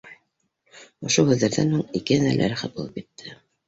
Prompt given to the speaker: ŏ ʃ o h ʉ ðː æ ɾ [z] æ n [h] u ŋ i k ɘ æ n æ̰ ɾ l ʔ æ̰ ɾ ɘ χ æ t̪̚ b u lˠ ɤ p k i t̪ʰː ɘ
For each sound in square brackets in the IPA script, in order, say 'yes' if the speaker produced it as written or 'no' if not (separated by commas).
no, yes